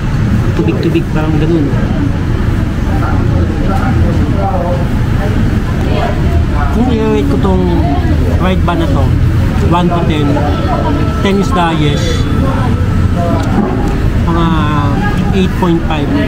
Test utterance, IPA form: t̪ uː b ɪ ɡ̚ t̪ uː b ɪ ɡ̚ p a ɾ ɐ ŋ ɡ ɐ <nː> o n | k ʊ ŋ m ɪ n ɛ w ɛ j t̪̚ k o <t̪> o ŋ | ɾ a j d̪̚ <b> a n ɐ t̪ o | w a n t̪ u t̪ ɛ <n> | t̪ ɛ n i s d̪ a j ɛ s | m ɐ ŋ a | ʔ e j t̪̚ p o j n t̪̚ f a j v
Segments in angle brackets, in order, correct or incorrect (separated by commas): incorrect, correct, correct, correct